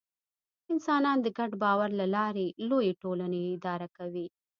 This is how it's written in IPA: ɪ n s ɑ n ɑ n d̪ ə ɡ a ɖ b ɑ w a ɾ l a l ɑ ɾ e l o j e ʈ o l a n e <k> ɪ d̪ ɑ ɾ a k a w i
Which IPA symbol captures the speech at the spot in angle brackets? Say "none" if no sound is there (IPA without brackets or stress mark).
none